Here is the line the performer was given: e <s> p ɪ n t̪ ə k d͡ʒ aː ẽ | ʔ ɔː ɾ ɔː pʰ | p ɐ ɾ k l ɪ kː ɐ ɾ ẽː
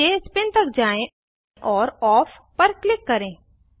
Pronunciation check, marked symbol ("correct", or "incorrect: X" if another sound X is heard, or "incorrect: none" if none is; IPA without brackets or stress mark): correct